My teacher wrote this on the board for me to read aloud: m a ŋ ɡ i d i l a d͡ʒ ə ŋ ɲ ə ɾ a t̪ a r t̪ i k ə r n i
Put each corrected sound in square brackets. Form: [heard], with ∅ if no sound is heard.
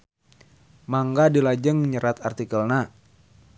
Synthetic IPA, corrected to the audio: m a ŋ ɡ [a] d i l a d͡ʒ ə ŋ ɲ ə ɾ a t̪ a r t̪ i k ə [l] n [a]